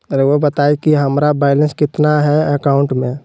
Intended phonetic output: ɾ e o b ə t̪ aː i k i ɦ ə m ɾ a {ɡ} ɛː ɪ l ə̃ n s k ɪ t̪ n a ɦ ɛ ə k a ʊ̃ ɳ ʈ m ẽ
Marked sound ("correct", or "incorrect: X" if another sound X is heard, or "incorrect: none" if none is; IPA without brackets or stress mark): incorrect: b